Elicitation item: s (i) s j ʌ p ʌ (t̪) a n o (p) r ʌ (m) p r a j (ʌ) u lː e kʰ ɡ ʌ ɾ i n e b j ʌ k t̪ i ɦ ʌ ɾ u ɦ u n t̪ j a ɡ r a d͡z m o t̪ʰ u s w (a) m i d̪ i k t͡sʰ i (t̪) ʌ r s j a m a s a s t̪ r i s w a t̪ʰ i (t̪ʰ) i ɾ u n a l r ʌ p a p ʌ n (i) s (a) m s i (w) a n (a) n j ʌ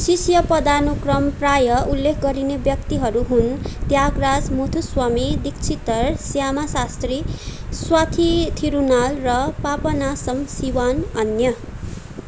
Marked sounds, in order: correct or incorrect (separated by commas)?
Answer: correct, incorrect, incorrect, correct, correct, correct, correct, correct, incorrect, incorrect, correct, incorrect